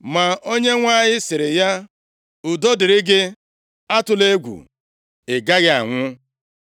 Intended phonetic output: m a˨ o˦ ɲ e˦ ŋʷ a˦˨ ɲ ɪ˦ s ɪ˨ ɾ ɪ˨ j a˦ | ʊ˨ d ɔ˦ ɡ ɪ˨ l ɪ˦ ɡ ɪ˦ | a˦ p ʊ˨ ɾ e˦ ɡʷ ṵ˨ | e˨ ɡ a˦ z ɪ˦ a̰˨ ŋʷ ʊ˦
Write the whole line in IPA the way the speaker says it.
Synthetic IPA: m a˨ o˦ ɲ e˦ ŋʷ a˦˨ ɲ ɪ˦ s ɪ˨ ɾ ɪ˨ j a˦ | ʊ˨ d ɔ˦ d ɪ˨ ɾ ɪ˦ ɡ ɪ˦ | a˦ t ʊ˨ l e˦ ɡʷ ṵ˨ | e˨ ɡ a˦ ɣ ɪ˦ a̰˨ ŋʷ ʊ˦

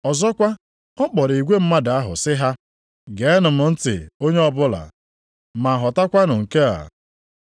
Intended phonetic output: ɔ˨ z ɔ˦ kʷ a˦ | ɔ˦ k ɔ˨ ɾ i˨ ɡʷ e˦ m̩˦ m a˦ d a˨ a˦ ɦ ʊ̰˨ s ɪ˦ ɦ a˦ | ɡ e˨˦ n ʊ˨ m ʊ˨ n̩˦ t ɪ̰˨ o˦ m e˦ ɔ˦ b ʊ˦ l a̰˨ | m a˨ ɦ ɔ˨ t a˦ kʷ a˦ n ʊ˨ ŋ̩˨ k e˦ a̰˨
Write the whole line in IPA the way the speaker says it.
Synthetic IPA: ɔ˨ z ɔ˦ kʷ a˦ | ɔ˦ k͡p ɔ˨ ɾ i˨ ɡʷ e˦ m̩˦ m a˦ d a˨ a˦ ɦ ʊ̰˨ s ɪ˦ ɦ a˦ | ɡ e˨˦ n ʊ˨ m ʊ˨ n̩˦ t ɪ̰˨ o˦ ɲ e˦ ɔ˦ b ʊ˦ l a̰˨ | m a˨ ɦ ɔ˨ t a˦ kʷ a˦ n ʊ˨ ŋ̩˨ k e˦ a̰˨

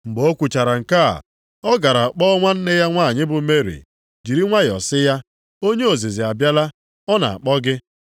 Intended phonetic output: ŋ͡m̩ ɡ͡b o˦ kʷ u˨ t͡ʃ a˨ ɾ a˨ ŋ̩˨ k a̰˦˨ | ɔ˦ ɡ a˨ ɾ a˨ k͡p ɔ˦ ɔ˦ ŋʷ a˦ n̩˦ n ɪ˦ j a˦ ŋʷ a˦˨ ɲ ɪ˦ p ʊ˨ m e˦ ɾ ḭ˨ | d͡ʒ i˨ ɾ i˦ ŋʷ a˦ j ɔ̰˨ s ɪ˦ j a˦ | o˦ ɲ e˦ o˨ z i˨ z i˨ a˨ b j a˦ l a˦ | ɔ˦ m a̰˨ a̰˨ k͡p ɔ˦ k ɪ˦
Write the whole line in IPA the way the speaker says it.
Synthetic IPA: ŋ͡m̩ ɡ͡b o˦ kʷ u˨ t͡ʃ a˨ ɾ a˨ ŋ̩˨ k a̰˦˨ | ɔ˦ ɡ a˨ ɾ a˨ k͡p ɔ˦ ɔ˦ ŋʷ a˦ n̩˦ n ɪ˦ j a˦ ŋʷ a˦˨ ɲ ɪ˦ b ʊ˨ m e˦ ɾ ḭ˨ | d͡ʒ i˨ ɾ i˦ ŋʷ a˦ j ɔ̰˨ s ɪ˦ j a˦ | o˦ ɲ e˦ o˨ z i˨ z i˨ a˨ b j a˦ l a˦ | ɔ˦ n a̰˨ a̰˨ k͡p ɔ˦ ɡ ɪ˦

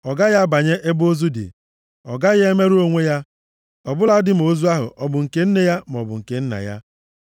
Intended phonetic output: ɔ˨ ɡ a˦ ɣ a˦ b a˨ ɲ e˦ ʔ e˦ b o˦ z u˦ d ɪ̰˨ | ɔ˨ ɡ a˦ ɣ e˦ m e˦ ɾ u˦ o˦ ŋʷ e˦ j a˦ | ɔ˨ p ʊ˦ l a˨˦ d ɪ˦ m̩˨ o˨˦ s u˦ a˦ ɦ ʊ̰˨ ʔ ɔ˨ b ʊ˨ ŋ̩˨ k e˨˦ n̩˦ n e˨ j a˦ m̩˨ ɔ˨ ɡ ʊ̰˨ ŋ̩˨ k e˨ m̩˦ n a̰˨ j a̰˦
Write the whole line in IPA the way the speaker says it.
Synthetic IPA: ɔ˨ ɡ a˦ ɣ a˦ b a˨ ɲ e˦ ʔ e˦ b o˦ z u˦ d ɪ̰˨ | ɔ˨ ɡ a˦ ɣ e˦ m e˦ ɾ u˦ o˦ ŋʷ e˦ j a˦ | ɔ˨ b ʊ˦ l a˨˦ d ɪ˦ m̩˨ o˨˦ z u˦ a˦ ɦ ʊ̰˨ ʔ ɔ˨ b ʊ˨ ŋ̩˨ k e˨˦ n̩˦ n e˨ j a˦ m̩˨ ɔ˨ b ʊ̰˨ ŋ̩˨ k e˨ n̩˦ n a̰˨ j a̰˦

